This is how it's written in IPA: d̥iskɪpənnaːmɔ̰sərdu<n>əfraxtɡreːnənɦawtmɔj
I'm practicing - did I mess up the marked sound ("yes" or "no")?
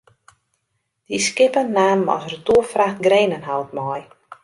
yes